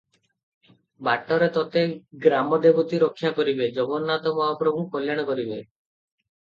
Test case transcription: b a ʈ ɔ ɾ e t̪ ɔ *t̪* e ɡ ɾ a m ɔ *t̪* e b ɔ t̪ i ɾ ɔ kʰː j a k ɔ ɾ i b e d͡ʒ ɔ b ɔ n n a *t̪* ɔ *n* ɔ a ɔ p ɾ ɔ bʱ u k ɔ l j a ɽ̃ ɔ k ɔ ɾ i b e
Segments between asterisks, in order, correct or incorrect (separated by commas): correct, incorrect, correct, incorrect